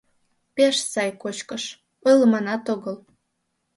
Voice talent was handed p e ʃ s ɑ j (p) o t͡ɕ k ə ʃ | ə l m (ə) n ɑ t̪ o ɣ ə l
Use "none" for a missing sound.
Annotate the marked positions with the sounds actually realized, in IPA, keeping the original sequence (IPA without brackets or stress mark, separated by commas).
k, ɑ